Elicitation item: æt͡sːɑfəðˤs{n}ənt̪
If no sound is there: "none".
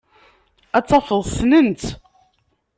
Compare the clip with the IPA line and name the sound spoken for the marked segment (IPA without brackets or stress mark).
n